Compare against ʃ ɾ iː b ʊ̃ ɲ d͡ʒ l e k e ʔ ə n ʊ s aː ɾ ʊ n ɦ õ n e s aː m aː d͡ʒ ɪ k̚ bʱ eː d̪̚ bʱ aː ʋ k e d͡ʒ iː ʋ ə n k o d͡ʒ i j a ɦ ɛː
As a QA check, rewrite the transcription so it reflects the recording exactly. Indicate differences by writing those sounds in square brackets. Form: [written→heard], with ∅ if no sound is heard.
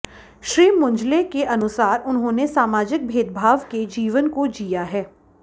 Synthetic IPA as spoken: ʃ ɾ iː [b→m] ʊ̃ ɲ d͡ʒ l e k e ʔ [ə→ɐ] n ʊ s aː ɾ ʊ n ɦ õ n e s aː m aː d͡ʒ ɪ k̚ bʱ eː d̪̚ bʱ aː ʋ k e d͡ʒ iː ʋ ə n k o d͡ʒ i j a ɦ ɛː